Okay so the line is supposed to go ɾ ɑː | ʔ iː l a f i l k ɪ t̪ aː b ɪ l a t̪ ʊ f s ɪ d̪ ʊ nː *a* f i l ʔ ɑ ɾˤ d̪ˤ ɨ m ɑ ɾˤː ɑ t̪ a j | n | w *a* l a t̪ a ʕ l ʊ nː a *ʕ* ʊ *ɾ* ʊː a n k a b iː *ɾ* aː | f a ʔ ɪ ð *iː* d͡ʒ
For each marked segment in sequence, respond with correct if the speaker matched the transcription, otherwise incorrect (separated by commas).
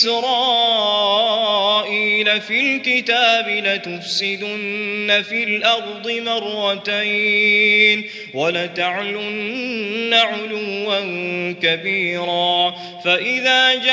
correct, correct, correct, incorrect, correct, incorrect